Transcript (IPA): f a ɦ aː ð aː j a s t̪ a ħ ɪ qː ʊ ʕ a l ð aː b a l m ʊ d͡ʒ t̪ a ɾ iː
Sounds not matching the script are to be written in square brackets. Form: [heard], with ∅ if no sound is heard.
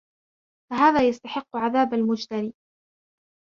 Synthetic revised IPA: f a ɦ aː ð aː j a s t̪ a ħ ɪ qː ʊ ʕ a [∅] ð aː b a l m ʊ d͡ʒ t̪ a ɾ iː